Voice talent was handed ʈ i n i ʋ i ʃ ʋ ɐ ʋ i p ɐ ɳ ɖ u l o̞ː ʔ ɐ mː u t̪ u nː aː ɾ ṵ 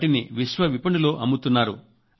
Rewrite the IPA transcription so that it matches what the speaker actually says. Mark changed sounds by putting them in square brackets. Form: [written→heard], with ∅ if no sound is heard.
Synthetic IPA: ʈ i n i ʋ i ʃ ʋ ɐ ʋ i p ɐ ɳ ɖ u l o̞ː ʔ ɐ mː u t̪ u nː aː ɾ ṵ